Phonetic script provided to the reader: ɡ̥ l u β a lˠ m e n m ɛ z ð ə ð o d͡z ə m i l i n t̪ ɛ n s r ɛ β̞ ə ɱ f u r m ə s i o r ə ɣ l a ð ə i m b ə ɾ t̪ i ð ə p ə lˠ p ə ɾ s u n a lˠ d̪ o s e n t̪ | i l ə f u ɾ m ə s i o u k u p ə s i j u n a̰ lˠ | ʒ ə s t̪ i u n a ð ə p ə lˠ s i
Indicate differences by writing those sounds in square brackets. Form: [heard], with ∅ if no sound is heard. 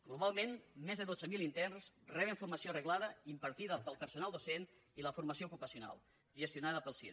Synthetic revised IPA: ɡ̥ l u β a lˠ m e n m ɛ z ð ə ð o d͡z ə m i l i n t̪ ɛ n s r ɛ β̞ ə ɱ f u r m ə s i o r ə ɣ l a ð ə i m [p] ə ɾ t̪ i ð ə p ə lˠ p ə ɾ s u n a lˠ d̪ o s e n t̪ | i l ə f u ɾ m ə s i o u k u p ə s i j u n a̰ lˠ | ʒ ə s t̪ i u n a ð ə p ə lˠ s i